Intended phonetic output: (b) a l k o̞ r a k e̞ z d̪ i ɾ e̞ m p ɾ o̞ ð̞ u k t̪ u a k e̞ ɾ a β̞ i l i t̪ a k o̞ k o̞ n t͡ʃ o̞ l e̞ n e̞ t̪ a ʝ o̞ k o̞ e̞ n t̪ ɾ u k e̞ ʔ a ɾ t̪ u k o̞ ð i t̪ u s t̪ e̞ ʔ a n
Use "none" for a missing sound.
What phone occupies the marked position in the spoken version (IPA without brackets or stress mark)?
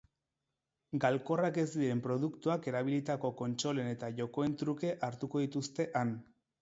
ɡ